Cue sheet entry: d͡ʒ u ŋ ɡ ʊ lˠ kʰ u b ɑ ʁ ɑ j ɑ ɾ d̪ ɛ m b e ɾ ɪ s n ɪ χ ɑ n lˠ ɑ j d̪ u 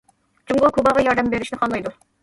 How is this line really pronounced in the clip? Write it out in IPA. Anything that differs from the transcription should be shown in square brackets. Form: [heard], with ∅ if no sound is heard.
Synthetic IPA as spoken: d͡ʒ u ŋ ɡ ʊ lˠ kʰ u b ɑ ʁ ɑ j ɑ ɾ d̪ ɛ m b e ɾ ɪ [ʃ] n ɪ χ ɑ n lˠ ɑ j d̪ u